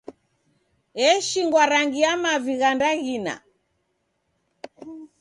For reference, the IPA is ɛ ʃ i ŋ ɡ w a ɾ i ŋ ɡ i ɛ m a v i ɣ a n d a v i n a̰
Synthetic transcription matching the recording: ɛ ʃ i ŋ ɡ w a ɾ a ŋ ɡ i a m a v i ɣ a n d a ɣ i n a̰